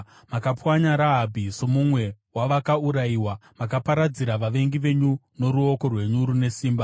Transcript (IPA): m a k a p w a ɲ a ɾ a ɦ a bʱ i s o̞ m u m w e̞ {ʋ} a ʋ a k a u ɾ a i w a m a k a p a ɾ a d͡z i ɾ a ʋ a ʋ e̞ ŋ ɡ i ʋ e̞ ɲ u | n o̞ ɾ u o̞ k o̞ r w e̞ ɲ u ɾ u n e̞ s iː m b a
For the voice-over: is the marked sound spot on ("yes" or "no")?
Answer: no